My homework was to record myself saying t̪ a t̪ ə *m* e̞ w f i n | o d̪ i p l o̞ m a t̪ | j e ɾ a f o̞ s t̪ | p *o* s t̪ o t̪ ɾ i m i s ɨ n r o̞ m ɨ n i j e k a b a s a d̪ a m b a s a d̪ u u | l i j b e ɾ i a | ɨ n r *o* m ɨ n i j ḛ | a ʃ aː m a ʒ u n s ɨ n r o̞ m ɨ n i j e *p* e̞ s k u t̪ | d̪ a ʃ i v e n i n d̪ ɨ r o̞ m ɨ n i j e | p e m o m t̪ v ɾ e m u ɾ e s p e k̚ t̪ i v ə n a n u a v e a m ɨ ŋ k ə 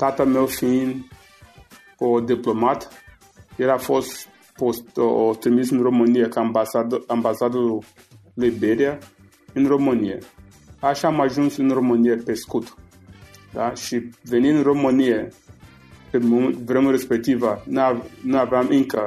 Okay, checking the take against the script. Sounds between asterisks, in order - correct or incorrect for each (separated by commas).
correct, correct, correct, correct